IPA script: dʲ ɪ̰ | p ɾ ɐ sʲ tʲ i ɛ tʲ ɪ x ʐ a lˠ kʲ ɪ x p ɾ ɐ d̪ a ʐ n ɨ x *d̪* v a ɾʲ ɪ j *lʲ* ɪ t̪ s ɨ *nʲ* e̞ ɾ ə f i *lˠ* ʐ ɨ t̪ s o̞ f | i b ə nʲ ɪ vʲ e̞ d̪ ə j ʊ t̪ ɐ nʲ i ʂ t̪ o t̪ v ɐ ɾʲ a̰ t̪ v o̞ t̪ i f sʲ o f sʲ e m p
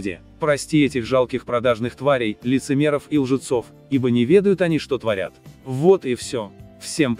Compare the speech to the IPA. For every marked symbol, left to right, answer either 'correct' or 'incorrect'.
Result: incorrect, correct, incorrect, correct

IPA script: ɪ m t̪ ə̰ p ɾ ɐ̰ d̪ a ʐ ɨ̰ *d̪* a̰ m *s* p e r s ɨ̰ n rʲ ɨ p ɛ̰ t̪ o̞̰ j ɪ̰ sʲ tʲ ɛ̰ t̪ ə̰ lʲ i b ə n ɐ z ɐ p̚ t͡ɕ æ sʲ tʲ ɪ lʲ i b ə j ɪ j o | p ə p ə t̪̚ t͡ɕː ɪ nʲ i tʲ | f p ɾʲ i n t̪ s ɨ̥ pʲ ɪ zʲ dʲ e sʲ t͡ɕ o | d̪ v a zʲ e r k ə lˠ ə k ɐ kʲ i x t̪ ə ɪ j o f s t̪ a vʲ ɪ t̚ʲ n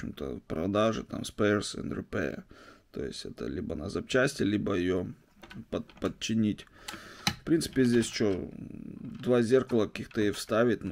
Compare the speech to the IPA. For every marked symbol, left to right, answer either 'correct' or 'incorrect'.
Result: incorrect, correct

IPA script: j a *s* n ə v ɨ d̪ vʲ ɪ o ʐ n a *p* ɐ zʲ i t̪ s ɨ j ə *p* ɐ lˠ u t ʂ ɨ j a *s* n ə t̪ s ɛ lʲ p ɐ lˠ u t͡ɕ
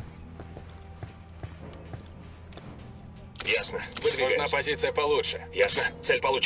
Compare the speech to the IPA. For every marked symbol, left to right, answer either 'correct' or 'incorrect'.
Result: correct, correct, correct, correct

